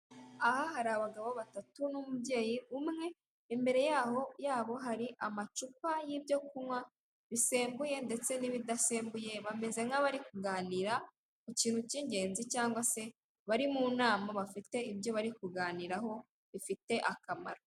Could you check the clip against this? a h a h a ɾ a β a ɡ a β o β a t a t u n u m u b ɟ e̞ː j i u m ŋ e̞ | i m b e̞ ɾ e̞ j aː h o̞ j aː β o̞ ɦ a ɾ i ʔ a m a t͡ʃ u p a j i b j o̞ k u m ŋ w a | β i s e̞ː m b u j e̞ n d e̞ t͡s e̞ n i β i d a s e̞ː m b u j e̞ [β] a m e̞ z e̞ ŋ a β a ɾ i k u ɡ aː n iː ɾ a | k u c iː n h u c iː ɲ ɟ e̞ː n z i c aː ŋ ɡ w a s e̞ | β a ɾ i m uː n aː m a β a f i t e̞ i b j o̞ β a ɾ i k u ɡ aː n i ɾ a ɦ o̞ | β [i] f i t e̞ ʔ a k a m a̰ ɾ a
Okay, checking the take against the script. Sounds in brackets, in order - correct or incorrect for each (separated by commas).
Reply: correct, correct